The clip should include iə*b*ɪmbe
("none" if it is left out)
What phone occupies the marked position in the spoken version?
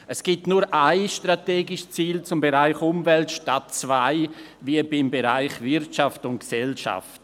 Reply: b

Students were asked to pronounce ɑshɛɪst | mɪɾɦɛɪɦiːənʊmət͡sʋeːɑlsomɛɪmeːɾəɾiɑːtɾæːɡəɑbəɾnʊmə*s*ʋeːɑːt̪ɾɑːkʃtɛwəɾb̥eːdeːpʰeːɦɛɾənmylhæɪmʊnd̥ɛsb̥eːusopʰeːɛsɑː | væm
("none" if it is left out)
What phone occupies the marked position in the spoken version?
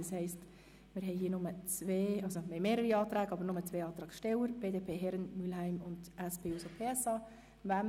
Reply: t͡s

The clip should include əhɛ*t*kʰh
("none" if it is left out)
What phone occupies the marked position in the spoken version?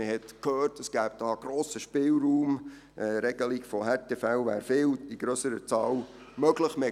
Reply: t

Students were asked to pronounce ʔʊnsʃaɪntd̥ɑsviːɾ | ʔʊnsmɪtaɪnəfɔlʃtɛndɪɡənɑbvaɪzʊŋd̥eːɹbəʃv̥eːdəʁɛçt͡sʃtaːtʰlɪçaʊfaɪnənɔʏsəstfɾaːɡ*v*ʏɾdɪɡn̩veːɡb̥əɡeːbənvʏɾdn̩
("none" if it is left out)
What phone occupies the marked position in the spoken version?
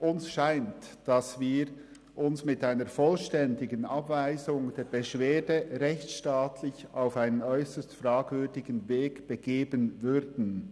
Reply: v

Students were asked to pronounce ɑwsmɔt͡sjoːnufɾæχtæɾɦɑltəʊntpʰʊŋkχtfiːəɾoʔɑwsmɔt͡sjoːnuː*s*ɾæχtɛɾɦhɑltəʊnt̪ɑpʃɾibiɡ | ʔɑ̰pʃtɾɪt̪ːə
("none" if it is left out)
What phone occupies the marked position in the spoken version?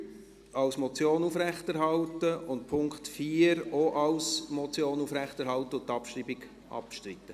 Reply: f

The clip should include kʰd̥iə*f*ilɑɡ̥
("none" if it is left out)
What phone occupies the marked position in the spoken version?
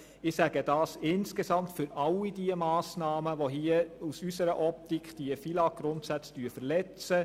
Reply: f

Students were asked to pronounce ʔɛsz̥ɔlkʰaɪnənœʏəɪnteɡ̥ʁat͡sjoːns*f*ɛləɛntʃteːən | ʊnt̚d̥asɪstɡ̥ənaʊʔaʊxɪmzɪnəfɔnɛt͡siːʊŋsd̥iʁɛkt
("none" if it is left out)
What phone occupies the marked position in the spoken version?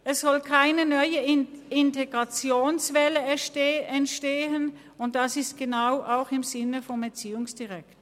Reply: v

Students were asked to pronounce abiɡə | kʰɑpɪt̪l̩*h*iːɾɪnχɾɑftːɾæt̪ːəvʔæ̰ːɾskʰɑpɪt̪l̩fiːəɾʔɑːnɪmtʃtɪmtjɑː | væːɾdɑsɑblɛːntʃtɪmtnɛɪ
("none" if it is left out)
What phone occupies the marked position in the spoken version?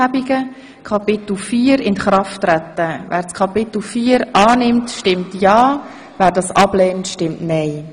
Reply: f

